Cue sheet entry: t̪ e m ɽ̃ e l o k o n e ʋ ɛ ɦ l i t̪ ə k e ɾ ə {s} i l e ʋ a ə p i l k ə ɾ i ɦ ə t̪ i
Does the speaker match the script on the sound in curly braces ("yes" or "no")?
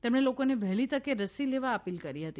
yes